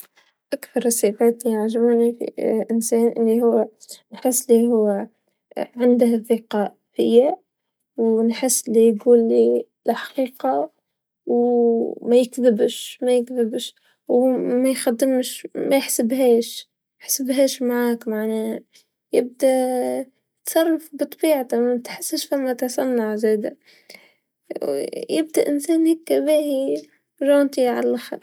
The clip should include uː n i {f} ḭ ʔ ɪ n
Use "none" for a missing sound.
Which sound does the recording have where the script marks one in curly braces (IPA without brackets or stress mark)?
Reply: f